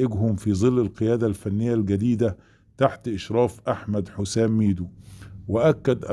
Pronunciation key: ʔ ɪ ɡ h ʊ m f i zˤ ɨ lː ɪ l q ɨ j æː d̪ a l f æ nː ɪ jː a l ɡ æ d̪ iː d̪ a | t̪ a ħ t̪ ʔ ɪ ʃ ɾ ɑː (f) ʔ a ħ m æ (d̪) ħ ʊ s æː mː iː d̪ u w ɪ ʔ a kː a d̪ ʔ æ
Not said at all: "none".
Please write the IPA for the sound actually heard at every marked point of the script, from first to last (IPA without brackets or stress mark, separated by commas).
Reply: f, d̪